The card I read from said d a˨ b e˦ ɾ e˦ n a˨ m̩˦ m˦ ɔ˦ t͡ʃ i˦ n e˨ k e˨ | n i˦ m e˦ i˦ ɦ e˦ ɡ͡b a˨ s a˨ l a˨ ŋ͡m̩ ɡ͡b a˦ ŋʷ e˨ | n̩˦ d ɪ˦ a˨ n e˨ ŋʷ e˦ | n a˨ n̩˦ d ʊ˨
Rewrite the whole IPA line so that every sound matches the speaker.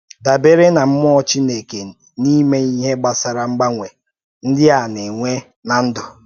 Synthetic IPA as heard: d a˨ b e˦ ɾ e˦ n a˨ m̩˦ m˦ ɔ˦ t͡ʃ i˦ n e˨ k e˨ | n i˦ m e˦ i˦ ɦ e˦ ɡ͡b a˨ s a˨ ɾ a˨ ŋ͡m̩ ɡ͡b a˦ ŋʷ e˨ | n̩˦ d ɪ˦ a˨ n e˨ ŋʷ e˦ | n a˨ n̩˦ d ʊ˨